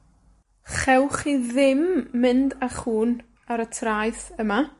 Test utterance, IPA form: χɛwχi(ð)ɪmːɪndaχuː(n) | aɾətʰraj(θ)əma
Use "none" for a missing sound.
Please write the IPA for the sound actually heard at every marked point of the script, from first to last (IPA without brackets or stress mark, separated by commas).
ð, n, θ